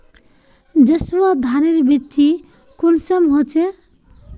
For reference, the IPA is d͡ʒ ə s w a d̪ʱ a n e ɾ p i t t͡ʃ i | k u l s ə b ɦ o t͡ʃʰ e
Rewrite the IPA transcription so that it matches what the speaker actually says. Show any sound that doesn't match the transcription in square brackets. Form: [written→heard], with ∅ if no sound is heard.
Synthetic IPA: d͡ʒ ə s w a d̪ʱ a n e ɾ [p→b] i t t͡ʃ i | k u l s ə [b→m] ɦ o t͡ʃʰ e